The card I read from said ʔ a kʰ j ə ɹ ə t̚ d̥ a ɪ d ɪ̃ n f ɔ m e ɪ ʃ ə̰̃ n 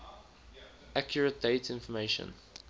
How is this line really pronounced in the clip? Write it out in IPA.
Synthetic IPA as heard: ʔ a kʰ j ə ɹ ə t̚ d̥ e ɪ t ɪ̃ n f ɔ m e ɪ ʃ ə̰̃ n